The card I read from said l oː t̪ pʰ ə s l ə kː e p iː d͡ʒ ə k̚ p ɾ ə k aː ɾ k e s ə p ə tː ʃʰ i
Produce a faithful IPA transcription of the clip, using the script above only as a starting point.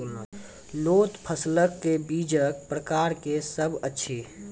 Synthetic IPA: l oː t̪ pʰ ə s l ə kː e b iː d͡ʒ ə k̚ p ɾ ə k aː ɾ k e s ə b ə tː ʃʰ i